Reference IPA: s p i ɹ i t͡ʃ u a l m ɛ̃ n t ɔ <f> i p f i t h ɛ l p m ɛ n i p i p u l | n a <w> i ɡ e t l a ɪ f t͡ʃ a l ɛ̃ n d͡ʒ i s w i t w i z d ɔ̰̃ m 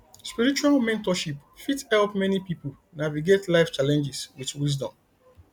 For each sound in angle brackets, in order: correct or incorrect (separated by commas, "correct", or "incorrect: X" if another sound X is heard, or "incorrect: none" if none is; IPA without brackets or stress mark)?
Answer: incorrect: ʃ, incorrect: v